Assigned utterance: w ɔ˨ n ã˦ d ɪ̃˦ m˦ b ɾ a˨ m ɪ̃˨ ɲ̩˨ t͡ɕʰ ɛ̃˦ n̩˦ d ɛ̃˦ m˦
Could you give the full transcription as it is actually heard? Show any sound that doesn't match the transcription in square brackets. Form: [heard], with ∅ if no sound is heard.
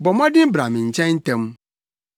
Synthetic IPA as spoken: [b] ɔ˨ [m] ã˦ d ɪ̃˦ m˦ b ɾ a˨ m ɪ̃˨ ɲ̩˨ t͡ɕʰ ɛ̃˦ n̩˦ [t] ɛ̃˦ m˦